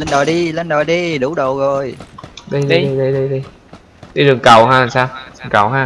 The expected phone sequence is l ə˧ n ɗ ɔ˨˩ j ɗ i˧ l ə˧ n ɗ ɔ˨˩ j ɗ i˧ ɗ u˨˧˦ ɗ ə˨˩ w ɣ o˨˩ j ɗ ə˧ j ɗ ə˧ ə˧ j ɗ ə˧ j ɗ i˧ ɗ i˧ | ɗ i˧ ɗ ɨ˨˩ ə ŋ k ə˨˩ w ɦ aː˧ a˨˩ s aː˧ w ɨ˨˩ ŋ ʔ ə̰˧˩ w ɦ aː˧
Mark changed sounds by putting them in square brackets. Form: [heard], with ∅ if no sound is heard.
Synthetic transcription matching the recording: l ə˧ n ɗ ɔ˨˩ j ɗ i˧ l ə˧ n ɗ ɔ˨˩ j ɗ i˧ ɗ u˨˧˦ ɗ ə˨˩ w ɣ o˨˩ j ɗ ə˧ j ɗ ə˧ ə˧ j ɗ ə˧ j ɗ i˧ ɗ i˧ | ɗ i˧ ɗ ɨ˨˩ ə ŋ k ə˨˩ w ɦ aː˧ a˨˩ s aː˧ w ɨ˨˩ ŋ [k] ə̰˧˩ w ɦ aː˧

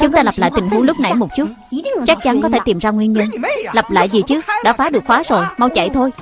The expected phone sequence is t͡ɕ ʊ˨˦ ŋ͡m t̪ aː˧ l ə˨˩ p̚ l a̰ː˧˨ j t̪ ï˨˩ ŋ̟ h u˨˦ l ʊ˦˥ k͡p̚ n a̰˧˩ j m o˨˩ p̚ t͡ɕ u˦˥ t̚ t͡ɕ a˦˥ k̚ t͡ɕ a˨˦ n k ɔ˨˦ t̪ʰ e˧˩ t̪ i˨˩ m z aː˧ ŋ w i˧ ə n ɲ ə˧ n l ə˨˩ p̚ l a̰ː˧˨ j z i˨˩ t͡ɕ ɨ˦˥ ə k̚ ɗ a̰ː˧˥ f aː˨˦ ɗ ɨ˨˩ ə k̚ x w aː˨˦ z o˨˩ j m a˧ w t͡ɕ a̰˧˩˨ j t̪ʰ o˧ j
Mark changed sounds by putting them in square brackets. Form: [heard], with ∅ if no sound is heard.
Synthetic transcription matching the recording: t͡ɕ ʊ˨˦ ŋ͡m t̪ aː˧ l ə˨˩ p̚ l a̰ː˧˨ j t̪ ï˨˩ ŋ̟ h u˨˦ l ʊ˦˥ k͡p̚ n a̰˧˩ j m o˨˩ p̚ t͡ɕ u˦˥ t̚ t͡ɕ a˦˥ k̚ t͡ɕ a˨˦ n k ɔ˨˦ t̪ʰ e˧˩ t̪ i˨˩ m z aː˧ ŋ w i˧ ə n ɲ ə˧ n l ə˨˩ p̚ l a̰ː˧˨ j z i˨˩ t͡ɕ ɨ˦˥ ə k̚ ɗ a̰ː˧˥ f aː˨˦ ɗ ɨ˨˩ ə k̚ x w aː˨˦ z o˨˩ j m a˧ w t͡ɕ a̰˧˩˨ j t̪ʰ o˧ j

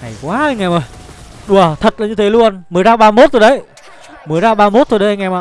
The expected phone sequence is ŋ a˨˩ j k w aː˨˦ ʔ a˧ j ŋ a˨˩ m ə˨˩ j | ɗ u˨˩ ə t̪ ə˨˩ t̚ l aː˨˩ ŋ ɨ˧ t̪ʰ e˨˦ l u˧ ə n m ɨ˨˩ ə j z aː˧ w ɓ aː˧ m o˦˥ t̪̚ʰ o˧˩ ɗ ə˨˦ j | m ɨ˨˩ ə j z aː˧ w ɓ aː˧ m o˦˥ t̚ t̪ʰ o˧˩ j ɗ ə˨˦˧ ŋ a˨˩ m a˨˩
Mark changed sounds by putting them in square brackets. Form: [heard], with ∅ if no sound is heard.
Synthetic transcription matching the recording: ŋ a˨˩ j k w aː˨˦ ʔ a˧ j ŋ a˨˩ m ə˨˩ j | ɗ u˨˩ ə [t̪ʰ] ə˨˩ t̚ l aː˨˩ [ɲ] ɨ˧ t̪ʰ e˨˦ l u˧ ə n m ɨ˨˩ ə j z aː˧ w ɓ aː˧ m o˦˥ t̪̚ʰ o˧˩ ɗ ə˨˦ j | m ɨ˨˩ ə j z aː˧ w ɓ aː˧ m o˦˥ t̚ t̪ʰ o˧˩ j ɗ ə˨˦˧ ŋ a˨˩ m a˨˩

